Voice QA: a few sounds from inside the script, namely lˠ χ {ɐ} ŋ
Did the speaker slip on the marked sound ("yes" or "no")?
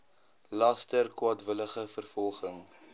yes